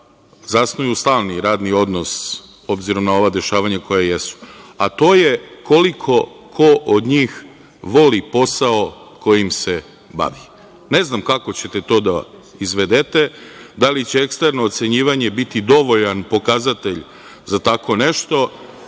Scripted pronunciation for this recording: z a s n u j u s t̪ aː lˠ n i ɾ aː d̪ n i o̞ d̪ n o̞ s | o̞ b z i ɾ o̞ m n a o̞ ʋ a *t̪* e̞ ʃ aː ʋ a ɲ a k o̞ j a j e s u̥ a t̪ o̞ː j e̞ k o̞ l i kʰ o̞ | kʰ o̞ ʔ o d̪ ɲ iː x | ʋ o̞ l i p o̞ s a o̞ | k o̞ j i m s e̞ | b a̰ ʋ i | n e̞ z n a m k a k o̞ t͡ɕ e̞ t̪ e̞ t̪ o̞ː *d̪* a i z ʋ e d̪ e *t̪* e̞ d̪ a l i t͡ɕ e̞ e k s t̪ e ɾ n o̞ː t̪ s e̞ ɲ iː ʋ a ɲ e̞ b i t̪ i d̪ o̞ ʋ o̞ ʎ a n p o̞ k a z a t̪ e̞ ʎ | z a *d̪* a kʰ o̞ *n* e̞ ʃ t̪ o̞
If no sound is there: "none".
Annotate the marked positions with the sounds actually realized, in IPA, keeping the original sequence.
d̪, d̪, t̪, t̪, n

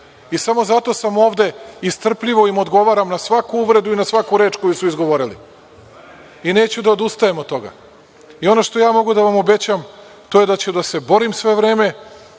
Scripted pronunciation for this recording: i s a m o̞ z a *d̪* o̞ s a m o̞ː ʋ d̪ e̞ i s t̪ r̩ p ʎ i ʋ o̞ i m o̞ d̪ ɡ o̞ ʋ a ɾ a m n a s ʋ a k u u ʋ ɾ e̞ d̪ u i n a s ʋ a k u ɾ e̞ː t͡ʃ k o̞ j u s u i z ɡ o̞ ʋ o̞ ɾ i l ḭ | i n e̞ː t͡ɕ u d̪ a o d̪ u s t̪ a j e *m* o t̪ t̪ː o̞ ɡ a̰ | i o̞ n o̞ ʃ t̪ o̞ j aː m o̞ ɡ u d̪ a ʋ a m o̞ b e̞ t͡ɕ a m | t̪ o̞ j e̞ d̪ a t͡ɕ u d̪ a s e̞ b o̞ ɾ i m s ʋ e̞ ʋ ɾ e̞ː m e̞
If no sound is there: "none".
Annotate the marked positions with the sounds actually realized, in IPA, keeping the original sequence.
t̪, m

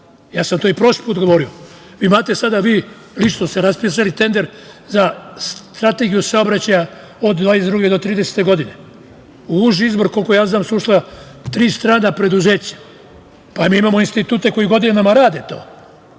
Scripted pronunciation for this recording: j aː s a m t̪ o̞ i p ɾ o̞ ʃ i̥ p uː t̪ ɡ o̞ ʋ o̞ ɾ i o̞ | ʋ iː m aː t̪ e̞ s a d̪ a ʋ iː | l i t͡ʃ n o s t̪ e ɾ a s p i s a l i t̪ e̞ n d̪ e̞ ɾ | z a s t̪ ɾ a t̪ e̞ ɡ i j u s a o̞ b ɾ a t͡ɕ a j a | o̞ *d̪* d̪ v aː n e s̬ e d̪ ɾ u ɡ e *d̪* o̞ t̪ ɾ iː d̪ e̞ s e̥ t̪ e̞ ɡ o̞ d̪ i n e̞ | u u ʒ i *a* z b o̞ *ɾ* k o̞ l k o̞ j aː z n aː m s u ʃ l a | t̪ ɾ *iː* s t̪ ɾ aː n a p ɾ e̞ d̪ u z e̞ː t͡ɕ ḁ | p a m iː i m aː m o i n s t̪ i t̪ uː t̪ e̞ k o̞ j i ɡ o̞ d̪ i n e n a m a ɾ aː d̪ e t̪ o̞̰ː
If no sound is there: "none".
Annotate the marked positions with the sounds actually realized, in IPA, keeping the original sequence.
d̪, d̪, i, ɾ, iː

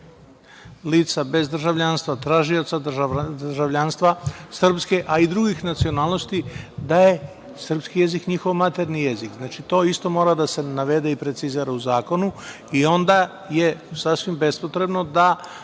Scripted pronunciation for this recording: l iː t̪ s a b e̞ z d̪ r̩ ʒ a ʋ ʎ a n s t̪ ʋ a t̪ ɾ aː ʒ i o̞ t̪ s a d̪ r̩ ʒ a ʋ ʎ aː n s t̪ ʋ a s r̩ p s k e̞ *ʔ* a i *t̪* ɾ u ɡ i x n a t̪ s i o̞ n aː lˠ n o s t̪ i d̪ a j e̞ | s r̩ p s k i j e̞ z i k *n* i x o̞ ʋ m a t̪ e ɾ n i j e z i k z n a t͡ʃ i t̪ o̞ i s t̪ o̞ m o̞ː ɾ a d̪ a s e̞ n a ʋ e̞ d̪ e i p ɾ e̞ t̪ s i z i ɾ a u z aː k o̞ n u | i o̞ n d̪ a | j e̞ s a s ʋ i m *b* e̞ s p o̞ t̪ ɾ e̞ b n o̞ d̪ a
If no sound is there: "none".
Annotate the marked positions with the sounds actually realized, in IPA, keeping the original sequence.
ʔ, d̪, ɲ, b

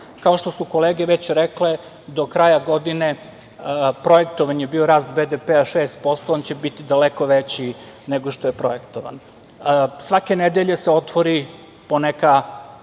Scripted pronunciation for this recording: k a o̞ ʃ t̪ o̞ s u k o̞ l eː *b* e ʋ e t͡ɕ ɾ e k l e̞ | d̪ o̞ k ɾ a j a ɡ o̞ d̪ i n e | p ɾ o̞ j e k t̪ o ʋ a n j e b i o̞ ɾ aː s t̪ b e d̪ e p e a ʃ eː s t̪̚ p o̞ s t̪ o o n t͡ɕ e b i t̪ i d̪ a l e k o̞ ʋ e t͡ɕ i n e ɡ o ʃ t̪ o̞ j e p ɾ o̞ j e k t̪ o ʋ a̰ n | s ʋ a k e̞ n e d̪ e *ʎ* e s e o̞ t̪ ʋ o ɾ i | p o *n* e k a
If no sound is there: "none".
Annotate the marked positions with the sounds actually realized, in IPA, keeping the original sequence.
ɡ, ʎ, n

